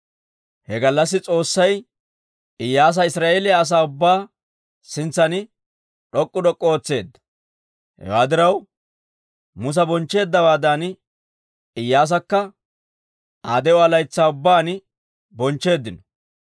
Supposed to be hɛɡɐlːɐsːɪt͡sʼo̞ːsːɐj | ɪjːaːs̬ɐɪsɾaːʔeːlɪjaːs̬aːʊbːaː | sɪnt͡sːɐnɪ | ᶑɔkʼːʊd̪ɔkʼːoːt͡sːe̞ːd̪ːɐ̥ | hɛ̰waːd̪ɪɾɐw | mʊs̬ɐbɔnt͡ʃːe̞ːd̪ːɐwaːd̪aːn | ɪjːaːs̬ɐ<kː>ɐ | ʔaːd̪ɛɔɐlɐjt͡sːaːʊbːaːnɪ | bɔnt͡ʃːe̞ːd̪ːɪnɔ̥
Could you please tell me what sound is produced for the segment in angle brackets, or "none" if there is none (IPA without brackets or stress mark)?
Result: kː